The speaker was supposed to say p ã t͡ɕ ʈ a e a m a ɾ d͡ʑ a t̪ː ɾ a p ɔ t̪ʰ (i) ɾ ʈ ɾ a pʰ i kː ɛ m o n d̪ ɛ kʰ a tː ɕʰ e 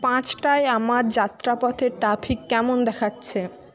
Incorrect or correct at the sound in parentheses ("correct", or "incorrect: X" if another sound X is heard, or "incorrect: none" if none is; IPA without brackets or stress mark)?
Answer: incorrect: e